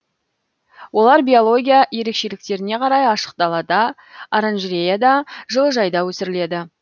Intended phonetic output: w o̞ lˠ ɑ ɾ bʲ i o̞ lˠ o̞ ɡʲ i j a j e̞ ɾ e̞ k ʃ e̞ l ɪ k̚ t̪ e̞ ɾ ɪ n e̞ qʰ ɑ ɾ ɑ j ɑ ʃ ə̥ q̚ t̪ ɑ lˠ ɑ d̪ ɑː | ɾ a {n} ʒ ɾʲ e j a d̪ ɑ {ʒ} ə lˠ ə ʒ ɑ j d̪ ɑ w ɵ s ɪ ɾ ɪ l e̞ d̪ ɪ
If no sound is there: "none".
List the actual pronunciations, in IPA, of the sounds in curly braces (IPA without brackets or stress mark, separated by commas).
n, ʒ